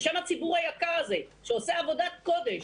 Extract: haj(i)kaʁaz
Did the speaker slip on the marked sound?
yes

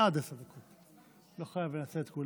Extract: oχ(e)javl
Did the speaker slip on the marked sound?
yes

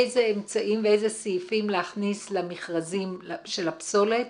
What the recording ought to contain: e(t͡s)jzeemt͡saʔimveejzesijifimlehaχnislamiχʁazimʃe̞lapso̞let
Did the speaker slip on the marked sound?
yes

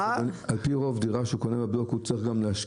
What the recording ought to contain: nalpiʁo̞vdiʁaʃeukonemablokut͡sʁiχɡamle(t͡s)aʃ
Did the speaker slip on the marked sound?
yes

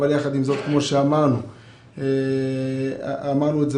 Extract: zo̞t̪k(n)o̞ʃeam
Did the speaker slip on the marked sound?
yes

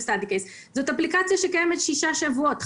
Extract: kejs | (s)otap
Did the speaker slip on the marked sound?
yes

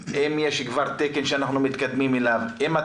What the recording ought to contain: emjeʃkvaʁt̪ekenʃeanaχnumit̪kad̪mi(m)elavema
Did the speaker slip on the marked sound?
no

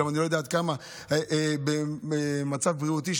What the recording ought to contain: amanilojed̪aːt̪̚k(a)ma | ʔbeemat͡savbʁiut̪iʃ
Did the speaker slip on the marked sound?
no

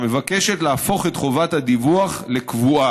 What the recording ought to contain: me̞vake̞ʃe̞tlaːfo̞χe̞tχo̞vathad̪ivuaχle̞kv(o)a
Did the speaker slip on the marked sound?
yes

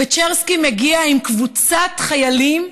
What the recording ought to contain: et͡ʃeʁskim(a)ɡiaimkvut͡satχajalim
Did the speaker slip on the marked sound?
yes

